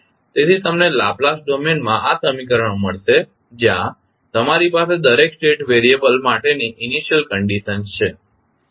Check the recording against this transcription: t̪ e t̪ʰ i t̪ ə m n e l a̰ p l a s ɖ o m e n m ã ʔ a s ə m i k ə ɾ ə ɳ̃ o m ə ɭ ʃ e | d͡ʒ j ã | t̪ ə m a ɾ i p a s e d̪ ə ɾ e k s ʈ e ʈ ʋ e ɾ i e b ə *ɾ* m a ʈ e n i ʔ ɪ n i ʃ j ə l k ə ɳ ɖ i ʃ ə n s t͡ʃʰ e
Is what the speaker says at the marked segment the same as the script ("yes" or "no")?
no